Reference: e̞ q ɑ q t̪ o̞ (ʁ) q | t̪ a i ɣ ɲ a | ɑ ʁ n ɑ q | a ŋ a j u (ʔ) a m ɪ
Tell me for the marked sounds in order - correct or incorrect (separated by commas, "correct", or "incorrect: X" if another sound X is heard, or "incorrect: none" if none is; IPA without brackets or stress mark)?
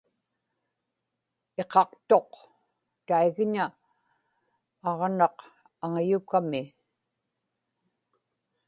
incorrect: none, incorrect: k